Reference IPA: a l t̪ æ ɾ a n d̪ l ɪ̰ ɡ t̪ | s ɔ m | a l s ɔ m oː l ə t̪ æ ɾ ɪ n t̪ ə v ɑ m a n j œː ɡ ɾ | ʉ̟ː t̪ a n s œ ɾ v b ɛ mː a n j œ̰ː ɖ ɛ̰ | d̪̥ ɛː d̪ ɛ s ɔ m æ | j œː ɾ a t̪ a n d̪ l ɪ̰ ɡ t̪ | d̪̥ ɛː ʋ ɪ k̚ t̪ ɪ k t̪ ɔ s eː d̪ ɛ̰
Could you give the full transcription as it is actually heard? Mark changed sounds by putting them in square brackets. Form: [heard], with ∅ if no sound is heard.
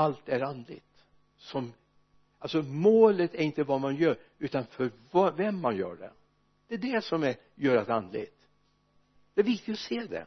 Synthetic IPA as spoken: a l t̪ æ ɾ a n d̪ l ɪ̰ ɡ t̪ | s ɔ m | a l s ɔ m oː l ə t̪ æ ɾ ɪ n t̪ ə v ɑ m a n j œː [∅] ɾ | ʉ̟ː t̪ a n [f] œ ɾ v [v] ɛ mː a n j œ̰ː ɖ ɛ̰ | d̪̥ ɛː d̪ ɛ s ɔ m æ | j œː ɾ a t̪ a n d̪ l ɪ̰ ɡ t̪ | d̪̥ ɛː [v] ɪ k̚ t̪ ɪ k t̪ ɔ s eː d̪ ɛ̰